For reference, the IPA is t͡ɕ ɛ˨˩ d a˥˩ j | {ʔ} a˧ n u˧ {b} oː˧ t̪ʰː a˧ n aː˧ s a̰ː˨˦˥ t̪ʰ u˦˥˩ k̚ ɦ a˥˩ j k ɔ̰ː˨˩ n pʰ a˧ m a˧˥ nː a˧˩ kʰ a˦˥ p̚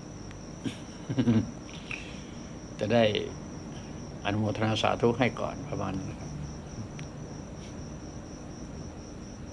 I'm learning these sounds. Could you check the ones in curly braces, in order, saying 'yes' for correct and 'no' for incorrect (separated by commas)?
yes, no